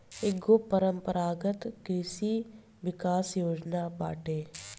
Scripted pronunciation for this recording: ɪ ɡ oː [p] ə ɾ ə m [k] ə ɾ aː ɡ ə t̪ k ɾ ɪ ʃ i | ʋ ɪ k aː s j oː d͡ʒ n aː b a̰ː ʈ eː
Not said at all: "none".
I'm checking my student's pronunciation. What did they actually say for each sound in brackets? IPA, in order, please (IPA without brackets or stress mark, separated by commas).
p, p